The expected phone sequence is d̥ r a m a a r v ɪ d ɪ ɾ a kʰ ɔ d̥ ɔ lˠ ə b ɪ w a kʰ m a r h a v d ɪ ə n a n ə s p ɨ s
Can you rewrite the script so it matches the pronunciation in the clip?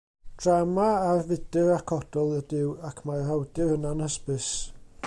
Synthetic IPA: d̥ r a m a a r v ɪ d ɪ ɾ a kʰ ɔ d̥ ɔ lˠ ə d ɪ w a kʰ m a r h a w d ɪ ə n a n ə s p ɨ s